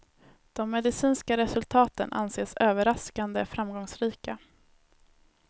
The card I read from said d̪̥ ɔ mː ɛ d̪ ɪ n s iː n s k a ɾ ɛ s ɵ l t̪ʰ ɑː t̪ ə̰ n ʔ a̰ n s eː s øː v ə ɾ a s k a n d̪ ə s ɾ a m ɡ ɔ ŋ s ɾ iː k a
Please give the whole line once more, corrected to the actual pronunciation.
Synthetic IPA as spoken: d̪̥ ɔ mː ɛ d̪ ɪ s iː n s k a ɾ ɛ s ɵ l t̪ʰ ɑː t̪ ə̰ n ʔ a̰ n s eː s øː v ə ɾ a s k a n d̪ ə f ɾ a m ɡ ɔ ŋ s ɾ iː k a